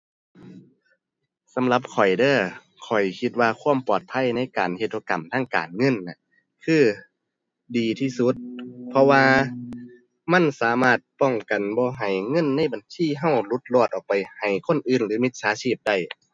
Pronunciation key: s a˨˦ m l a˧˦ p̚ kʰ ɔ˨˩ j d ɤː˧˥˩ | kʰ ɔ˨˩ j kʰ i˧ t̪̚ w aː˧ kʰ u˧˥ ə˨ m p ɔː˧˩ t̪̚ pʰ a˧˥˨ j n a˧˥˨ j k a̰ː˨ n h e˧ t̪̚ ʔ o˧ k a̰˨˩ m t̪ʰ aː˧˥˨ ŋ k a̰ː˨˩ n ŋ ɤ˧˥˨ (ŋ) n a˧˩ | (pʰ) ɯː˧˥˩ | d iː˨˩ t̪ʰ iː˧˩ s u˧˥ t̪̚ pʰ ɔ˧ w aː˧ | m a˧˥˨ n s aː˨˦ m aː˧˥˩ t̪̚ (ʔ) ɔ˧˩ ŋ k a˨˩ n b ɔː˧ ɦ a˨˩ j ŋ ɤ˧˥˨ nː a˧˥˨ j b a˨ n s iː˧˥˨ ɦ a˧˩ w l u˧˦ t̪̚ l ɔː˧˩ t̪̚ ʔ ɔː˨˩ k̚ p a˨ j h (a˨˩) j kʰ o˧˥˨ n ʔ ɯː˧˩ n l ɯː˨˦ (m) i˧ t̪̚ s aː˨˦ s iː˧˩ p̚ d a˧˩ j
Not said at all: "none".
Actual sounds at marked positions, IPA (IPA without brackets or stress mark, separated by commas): n, kʰ, p, a˨˩, m